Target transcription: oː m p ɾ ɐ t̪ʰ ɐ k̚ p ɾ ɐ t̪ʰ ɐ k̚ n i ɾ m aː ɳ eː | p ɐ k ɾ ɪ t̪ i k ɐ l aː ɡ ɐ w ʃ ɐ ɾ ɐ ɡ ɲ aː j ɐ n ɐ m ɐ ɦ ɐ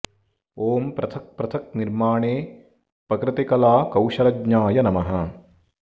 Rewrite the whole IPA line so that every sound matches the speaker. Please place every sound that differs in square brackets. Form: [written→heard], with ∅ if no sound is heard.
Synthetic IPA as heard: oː m p ɾ ɐ t̪ʰ ɐ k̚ p ɾ ɐ t̪ʰ ɐ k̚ n i ɾ m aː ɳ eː | p ɐ k ɾ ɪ t̪ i k ɐ l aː [ɡ→k] ɐ w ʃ ɐ ɾ ɐ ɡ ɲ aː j ɐ n ɐ m ɐ ɦ ɐ